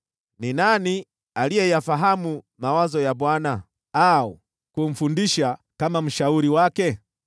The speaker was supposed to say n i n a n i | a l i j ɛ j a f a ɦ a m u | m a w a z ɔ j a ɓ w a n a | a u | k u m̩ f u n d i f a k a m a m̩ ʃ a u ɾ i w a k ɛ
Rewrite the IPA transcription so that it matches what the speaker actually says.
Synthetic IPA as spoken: n i n a n i | a l i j ɛ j a f a ɦ a m u | m a w a z ɔ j a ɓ w a n a | a u | k u m̩ f u n d i ʃ a k a m a m̩ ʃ a u ɾ i w a k ɛ

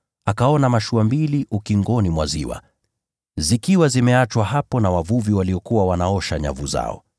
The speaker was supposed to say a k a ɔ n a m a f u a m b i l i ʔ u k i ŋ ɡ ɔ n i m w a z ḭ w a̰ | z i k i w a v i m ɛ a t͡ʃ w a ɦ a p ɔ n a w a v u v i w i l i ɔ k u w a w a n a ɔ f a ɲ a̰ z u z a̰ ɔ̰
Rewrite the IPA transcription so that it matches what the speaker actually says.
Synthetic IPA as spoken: a k a ɔ n a m a ʃ u a m b i l i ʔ u k i ŋ ɡ ɔ n i m w a z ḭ w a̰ | z i k i w a z i m ɛ a t͡ʃ w a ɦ a p ɔ n a w a v u v i w a l i ɔ k u w a w a n a ɔ ʃ a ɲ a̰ v u z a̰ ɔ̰

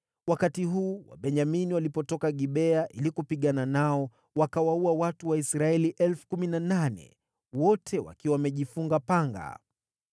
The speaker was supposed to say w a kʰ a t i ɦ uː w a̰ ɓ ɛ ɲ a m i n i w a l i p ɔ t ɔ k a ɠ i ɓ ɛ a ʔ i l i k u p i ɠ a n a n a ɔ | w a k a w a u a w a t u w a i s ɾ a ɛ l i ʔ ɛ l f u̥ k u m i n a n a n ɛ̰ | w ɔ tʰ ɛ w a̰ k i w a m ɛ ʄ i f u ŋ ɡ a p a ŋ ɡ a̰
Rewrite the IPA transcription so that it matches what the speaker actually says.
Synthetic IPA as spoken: w a k a t i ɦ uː w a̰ ɓ ɛ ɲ a m i n i w a l i p ɔ t ɔ k a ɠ i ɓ ɛ a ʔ i l i k u p i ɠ a n a n a ɔ | w a k a w a u a w a t u w a i s ɾ a ɛ l i ʔ ɛ l f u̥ k u m i n a n a n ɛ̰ | w ɔ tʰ ɛ w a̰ k i w a m ɛ ʄ i f u ŋ ɡ a p a ŋ ɡ a̰

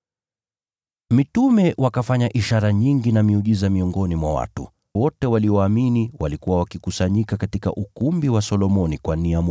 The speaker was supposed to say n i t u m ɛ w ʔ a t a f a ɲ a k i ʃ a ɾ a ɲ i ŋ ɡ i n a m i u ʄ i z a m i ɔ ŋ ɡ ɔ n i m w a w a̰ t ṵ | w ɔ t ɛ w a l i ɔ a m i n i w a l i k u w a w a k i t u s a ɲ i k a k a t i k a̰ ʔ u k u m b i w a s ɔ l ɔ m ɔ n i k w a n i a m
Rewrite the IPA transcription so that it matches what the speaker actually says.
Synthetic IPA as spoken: m i t u m ɛ w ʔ a k a f a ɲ a ʔ i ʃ a ɾ a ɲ i ŋ ɡ i n a m i u ʄ i z a m i ɔ ŋ ɡ ɔ n i m w a w a̰ t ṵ | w ɔ t ɛ w a l i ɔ a m i n i w a l i k u w a w a k i k u s a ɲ i k a k a t i k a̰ ʔ u k u m b i w a s ɔ l ɔ m ɔ n i k w a n i a m

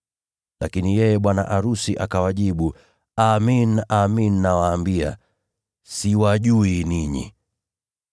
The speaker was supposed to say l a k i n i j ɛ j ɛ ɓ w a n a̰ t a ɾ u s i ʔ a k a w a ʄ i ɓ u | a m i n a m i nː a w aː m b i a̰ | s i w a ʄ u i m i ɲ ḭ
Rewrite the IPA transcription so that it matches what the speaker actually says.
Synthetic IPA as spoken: l a k i n i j ɛ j ɛ ɓ w a n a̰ ʔ a ɾ u s i ʔ a k a w a ʄ i ɓ u | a m i n a m i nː a w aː m b i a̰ | s i w a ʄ u i n i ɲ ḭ

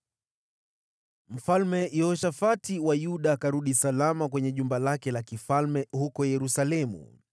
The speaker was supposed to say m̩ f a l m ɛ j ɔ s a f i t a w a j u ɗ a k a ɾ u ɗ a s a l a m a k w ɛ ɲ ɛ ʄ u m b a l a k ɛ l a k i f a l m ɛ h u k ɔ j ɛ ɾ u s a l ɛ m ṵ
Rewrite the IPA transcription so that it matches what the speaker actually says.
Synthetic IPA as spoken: m̩ f a l m ɛ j ɔ ʃ a f a t i w a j u ɗ a k a ɾ u ɗ i s a l a m a k w ɛ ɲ ɛ ʄ u m b a l a k ɛ l a k i f a l m ɛ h u k ɔ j ɛ ɾ u s a l ɛ m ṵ

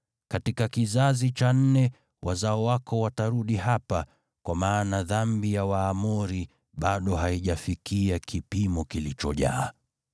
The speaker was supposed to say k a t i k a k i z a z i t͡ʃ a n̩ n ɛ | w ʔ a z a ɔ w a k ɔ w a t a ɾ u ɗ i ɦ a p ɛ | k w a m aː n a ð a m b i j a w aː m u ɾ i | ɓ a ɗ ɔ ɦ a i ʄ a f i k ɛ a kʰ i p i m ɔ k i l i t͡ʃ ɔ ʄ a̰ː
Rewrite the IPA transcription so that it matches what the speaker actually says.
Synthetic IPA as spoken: k a t i k a k i z a z i t͡ʃ a n̩ n ɛ | w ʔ a z a ɔ w a k ɔ w a t a ɾ u ɗ i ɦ a p a | k w a m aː n a ð a m b i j a w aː m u ɾ i | ɓ a ɗ ɔ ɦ a i ʄ a f i k i a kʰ i p i m ɔ k i l i t͡ʃ ɔ ʄ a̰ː

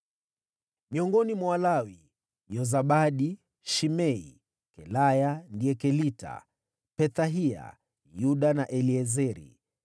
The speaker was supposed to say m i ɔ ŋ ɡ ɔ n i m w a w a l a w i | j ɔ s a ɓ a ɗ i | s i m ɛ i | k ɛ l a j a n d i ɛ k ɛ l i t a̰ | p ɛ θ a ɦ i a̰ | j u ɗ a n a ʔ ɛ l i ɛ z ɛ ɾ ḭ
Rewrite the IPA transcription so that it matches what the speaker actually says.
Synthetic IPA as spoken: m i ɔ ŋ ɡ ɔ n i m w a w a l a w i | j ɔ z a ɓ a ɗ i | ʃ i m ɛ i | k ɛ l a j a n d i ɛ k ɛ l i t a̰ | p ɛ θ a ɦ i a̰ | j u ɗ a n a ʔ ɛ l i ɛ z ɛ ɾ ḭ

